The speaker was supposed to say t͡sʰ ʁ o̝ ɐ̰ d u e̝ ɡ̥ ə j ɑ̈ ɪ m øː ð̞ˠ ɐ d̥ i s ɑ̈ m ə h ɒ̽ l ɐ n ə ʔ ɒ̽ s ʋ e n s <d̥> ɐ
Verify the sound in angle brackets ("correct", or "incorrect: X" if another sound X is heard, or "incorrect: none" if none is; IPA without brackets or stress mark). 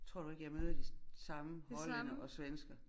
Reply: incorrect: ɡ̥